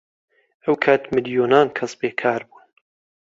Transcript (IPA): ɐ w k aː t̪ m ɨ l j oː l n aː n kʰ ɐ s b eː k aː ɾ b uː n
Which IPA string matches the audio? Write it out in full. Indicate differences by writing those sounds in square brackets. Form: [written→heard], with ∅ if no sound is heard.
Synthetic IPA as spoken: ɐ w [k→kʰ] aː t̪ m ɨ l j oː [l→∅] n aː n kʰ ɐ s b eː [k→kʰ] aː ɾ b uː n